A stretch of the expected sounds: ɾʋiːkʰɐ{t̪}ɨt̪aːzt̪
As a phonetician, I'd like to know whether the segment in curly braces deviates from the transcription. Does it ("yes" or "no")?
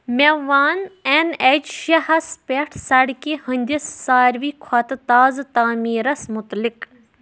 no